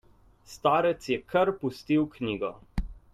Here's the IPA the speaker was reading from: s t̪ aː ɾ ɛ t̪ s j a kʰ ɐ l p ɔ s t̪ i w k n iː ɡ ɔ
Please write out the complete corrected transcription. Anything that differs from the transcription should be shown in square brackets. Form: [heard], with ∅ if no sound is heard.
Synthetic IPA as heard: s t̪ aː ɾ ɛ t̪ s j [ɛ] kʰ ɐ [ɾ] p [u] s t̪ i w k n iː ɡ ɔ